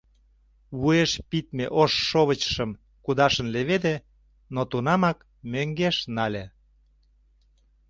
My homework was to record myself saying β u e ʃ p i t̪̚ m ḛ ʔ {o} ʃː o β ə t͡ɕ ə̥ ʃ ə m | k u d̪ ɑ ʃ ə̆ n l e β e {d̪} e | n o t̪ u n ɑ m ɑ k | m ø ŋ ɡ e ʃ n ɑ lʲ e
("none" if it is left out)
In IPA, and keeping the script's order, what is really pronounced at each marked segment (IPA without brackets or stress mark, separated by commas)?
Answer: o, d̪